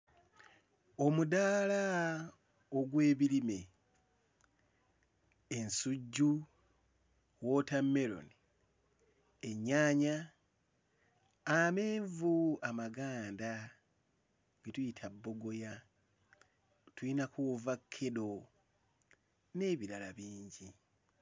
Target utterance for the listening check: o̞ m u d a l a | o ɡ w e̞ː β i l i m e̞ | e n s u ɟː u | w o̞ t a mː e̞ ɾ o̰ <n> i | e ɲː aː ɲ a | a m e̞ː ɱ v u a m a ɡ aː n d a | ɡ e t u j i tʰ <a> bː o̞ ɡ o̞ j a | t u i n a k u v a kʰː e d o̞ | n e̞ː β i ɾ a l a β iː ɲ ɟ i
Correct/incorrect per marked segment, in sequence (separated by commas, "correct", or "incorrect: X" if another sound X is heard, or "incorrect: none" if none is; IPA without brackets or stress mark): correct, correct